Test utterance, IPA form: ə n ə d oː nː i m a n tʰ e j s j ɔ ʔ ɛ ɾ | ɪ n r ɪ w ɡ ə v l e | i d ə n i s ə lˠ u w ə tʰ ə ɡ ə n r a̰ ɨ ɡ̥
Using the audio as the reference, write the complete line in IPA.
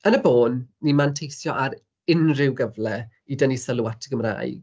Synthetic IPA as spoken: ə n ə b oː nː i m a n tʰ e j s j ɔ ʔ a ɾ | ɪ n r ɪ w ɡ ə v l ɛ | i d ə n i s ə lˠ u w a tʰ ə ɡ ə m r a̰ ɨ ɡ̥

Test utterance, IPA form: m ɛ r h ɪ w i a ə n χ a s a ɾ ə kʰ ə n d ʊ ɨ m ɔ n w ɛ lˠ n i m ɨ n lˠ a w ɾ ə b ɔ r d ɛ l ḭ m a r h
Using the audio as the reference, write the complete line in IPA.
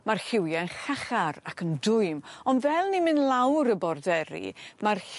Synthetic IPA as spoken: m a r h ɪ w j a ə n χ a χ a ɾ a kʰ ə n d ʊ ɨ m ɔ n v ɛ lˠ n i m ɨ n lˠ a w ɾ ə b ɔ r d ɛ ɾ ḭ m a r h

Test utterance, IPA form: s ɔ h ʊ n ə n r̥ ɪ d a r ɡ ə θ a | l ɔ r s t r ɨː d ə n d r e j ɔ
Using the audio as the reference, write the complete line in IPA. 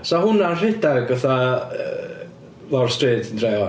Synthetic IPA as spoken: s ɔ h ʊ n a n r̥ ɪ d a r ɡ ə θ a | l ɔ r s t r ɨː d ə n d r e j ɔ

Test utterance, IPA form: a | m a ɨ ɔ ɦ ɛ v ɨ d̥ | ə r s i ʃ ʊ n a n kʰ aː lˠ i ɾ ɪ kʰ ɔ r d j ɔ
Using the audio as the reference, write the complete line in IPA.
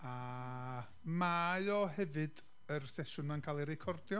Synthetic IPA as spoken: a | m a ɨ ɔ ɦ ɛ v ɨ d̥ | ə r s ɛ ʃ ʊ n a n kʰ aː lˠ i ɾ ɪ kʰ ɔ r d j ɔ

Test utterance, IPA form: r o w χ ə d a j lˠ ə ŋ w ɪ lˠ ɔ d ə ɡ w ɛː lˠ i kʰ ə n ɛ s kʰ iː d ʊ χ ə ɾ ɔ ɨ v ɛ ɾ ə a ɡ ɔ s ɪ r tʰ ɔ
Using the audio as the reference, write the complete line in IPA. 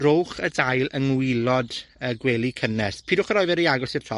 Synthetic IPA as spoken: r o w χ ə d a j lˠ ə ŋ w ɪ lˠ ɔ d ə ɡ w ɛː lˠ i kʰ ə n ɛ s pʰ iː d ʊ χ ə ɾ ɔ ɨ v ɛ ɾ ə a ɡ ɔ s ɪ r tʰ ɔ

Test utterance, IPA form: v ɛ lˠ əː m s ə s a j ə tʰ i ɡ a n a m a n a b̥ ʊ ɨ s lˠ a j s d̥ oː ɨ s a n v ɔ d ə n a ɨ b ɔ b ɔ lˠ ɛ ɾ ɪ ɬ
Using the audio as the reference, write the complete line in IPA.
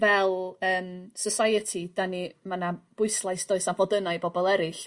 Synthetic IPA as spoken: v ɛ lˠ əː m s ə s a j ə tʰ i d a n i m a n a b̥ ʊ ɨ s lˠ a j s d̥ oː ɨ s a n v ɔ d ə n a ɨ b ɔ b ɔ lˠ ɛ ɾ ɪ ɬ

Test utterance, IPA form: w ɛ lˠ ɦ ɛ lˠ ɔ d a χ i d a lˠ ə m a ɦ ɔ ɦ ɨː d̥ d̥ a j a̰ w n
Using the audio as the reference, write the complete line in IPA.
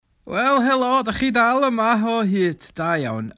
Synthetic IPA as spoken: w ɛ lˠ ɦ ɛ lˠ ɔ d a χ i d a lˠ ə m a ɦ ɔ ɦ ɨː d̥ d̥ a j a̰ w n

